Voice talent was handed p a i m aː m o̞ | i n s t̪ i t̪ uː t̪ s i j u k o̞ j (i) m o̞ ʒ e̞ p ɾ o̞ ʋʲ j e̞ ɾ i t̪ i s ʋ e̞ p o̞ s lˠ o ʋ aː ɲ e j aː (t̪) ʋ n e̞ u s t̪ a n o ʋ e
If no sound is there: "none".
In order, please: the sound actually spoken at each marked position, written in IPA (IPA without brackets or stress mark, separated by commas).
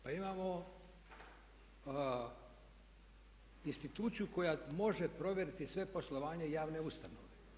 a, none